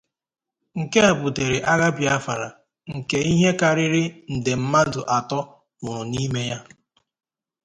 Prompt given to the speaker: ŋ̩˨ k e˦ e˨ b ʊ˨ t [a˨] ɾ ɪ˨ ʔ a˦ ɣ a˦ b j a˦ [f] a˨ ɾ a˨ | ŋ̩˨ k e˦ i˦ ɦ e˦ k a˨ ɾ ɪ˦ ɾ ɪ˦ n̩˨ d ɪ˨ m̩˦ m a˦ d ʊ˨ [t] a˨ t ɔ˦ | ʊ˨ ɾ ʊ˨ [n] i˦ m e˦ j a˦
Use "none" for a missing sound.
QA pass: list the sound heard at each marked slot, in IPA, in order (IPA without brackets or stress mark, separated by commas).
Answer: e˨, f, ʔ, n